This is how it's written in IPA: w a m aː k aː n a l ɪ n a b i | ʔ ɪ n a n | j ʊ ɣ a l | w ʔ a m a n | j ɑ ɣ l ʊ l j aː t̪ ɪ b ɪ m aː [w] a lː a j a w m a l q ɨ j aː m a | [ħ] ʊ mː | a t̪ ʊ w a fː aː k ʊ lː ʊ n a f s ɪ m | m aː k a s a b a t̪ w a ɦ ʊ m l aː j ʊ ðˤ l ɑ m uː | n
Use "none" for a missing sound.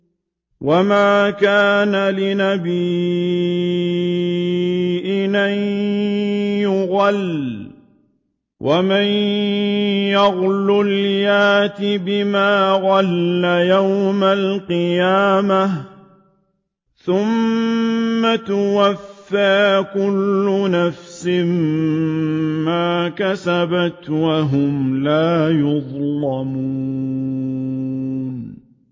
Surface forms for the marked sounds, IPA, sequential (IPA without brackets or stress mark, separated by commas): ɣ, θ